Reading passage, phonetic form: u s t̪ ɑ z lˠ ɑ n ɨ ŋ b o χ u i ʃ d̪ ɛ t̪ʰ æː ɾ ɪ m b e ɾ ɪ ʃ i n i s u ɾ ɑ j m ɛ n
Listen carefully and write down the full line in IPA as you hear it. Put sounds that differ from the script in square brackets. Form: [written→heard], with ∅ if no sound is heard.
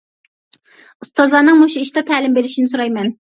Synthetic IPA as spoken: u s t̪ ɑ z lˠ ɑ n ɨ ŋ [b→m] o [χ→ʃ] u i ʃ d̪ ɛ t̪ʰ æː [ɾ→l] ɪ m b e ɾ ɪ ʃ i n [i→ɪ] s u ɾ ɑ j m ɛ n

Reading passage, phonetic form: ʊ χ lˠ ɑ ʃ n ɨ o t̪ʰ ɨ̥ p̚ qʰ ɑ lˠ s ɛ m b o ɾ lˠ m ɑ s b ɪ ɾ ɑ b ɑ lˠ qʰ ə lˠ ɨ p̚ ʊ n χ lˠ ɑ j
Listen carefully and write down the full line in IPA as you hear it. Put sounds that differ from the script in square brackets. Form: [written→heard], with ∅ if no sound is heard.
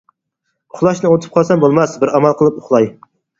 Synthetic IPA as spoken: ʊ χ lˠ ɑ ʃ n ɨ o t̪ʰ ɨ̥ p̚ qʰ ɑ lˠ s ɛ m b o [ɾ→∅] lˠ m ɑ s b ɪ ɾ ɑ [b→m] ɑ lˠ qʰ ə lˠ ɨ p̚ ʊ [n→∅] χ lˠ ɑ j

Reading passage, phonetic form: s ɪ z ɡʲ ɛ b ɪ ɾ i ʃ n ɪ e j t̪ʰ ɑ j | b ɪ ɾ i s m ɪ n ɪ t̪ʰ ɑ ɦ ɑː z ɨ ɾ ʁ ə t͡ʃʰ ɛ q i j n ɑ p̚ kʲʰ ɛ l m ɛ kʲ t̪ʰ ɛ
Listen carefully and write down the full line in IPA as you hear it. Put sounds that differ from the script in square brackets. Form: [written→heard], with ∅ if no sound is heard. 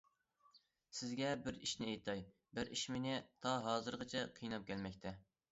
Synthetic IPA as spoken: s ɪ z ɡʲ ɛ b ɪ ɾ i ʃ n ɪ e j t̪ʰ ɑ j | b ɪ ɾ i [s→ʃ] m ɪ n ɪ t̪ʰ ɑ ɦ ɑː z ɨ ɾ ʁ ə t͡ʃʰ ɛ [q→qʰ] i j n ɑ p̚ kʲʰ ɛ l m ɛ kʲ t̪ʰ ɛ

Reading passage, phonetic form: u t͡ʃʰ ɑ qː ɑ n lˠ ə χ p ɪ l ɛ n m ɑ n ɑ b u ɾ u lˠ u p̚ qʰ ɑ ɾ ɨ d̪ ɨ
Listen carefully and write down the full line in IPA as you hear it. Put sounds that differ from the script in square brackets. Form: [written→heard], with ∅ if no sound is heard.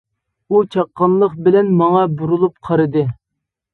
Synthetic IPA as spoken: u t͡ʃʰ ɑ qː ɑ n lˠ ə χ [p→b] ɪ l ɛ n m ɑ [n→ŋ] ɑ b u ɾ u lˠ u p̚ qʰ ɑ ɾ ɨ d̪ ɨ

